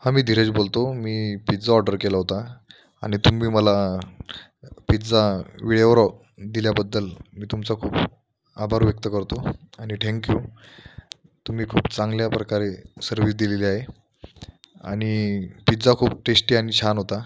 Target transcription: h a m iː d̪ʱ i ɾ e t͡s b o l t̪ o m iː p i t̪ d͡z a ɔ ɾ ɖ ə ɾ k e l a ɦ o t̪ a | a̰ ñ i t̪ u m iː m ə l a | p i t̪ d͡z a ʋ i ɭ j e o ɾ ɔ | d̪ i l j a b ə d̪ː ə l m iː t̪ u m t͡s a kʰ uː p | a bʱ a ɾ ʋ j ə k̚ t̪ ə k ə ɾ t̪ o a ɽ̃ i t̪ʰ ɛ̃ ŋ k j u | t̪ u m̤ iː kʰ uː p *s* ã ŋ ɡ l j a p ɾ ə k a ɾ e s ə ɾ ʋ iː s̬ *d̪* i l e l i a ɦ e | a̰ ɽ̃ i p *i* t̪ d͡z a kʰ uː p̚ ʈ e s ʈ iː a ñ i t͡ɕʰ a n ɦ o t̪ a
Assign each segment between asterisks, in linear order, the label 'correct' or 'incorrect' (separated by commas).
incorrect, correct, correct